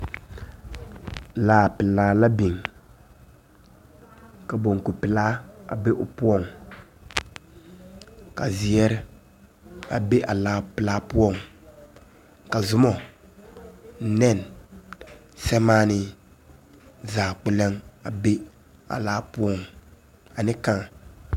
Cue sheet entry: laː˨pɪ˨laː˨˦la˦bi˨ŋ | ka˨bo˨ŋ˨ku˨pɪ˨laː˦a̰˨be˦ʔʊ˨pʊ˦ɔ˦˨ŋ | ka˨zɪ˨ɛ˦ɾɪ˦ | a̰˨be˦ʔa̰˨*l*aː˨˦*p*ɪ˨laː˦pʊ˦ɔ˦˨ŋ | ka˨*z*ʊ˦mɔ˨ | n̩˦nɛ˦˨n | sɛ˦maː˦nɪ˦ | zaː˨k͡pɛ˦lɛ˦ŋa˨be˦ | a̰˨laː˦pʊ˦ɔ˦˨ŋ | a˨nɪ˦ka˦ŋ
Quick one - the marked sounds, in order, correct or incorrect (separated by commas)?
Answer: correct, correct, correct